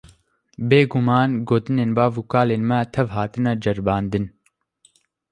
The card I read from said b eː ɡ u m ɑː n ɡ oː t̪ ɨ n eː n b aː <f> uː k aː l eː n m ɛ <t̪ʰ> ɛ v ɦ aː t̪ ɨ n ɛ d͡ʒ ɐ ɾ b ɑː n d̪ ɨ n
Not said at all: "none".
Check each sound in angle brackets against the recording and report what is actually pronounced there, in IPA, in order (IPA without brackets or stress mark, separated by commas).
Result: v, t̪ʰ